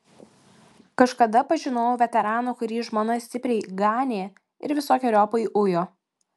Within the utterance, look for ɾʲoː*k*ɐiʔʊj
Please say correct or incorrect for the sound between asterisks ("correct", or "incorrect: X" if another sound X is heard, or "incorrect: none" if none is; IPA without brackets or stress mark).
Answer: incorrect: p